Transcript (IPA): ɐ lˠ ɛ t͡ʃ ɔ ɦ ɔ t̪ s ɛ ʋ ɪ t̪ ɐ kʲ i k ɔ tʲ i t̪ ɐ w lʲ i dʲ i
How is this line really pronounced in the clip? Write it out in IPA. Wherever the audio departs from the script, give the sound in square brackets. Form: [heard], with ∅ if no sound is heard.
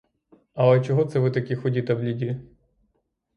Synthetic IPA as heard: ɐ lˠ ɛ t͡ʃ ɔ ɦ ɔ t̪ s ɛ ʋ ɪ t̪ ɐ kʲ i [x] ɔ [dʲ] i t̪ ɐ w lʲ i dʲ i